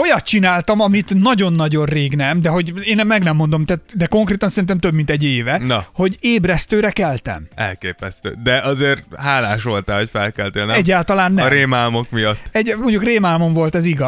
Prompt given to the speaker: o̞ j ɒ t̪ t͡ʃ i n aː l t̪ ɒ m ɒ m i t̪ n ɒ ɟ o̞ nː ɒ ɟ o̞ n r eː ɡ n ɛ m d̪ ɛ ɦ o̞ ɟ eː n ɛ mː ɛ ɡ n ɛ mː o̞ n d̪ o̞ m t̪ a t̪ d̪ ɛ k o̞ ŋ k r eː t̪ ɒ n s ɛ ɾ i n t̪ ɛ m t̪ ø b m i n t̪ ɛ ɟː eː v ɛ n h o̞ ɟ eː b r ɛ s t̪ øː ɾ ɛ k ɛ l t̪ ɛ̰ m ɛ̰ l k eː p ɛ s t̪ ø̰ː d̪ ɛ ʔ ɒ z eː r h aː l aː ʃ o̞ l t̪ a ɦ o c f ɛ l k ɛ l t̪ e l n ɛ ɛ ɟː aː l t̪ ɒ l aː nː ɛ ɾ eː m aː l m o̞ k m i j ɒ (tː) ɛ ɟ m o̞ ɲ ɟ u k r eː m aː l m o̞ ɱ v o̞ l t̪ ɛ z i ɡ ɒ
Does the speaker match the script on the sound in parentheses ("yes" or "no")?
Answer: yes